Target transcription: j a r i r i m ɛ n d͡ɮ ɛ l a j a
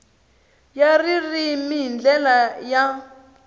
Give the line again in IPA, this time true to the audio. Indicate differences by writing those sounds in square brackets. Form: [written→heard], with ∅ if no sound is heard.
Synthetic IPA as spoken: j a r i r i m [ɛ→i] n d͡ɮ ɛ l a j a